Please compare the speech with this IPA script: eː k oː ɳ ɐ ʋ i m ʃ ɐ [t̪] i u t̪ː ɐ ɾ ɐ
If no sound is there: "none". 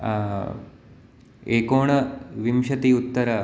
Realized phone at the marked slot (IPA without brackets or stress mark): t̪